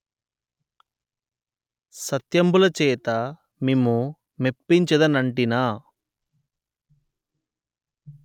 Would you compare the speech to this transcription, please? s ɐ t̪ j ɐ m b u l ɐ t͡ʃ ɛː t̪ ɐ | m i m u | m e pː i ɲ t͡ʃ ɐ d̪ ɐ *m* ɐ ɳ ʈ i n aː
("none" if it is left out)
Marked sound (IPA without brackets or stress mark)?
n